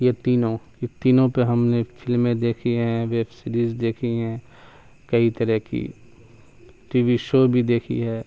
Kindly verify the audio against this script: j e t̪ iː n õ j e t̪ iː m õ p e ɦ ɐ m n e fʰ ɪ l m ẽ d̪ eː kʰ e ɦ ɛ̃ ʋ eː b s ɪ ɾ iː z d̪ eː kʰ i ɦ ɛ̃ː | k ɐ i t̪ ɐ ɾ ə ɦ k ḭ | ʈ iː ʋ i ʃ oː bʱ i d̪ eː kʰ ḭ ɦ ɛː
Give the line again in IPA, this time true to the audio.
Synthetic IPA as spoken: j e t̪ iː n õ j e t̪ iː n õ p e ɦ ɐ m n e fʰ ɪ l m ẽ d̪ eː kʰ i ɦ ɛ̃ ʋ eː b s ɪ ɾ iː z d̪ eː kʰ i ɦ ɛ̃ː | k ɐ i t̪ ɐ ɾ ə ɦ k ḭ | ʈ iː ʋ i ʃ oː bʱ i d̪ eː kʰ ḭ ɦ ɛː